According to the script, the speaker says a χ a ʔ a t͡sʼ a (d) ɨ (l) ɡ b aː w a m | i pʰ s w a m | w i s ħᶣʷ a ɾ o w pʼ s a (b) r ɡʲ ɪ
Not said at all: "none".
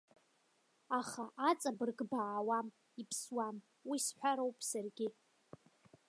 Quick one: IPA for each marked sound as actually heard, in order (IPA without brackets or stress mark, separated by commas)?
b, r, none